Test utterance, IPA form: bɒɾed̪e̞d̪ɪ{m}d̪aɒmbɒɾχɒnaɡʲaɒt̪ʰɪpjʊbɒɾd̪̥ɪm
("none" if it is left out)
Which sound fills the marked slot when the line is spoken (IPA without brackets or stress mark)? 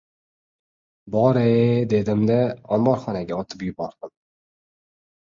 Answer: m